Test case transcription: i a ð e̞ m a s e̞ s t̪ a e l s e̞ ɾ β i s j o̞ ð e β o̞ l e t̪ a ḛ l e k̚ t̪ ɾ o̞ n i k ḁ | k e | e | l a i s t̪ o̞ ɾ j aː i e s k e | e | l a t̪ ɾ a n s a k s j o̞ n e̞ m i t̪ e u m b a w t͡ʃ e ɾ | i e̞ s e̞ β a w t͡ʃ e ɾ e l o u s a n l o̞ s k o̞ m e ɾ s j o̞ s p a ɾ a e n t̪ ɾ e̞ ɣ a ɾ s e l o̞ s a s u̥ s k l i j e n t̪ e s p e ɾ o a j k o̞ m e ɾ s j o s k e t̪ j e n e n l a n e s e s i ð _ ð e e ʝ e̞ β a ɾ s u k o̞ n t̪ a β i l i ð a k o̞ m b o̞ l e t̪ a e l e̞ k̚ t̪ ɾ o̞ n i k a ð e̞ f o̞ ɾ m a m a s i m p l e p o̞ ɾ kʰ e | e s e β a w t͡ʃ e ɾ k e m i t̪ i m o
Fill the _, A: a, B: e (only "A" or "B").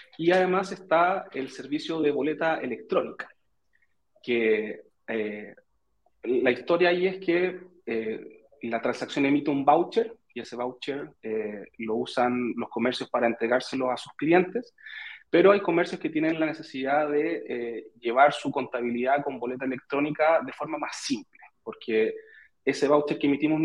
A